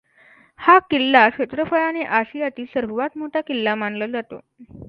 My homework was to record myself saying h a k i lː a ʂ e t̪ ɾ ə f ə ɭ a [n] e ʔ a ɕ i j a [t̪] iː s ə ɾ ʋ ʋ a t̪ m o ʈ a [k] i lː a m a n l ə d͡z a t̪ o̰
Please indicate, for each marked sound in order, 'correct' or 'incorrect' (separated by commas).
correct, correct, correct